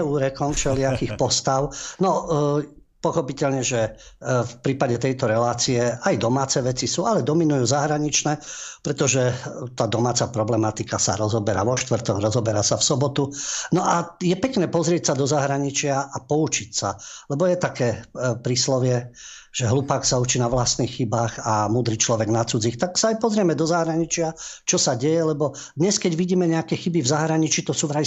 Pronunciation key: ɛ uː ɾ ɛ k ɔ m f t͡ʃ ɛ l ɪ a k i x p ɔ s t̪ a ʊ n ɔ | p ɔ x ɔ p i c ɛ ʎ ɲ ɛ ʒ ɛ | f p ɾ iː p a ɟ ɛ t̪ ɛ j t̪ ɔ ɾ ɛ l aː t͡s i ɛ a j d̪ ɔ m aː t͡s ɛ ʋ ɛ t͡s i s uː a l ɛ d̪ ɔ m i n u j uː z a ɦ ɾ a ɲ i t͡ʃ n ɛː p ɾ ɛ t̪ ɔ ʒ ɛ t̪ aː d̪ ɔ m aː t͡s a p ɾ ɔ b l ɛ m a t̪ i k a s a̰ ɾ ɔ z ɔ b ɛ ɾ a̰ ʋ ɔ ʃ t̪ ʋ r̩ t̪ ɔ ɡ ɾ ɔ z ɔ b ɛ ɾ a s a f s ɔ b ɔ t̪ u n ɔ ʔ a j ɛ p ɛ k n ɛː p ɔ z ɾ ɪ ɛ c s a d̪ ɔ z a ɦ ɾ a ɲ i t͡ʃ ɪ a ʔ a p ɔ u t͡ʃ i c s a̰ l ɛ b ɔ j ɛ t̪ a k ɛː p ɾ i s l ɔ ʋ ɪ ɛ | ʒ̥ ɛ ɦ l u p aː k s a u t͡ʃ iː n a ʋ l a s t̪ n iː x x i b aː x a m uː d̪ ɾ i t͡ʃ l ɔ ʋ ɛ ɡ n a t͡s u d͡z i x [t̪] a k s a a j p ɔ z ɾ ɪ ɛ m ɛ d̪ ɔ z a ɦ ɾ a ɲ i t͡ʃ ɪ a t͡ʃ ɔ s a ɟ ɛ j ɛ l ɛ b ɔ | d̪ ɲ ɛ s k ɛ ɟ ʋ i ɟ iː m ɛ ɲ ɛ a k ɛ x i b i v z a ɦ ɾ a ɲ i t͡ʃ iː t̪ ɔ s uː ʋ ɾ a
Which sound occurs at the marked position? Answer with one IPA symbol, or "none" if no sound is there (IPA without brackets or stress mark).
t̪